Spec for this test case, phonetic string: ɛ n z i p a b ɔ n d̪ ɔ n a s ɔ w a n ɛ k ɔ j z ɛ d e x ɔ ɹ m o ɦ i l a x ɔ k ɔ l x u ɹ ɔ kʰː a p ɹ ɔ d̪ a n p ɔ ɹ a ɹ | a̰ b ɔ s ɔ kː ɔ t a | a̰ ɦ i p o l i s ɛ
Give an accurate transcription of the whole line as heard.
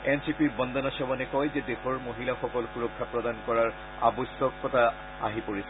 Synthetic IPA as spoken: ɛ n s i p i b ɔ n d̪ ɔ n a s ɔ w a n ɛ k ɔ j z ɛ d e x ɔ ɹ m o ɦ i l a x ɔ k ɔ l x u ɹ ɔ kʰː a p ɹ ɔ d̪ a n k ɔ ɹ a ɹ | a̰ b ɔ s ɔ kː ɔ t a | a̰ ɦ i p o ɹ i s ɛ